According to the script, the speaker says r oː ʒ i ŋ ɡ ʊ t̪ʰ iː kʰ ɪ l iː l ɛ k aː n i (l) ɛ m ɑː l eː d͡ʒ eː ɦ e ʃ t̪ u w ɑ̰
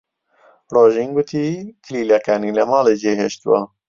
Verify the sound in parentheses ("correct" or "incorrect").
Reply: correct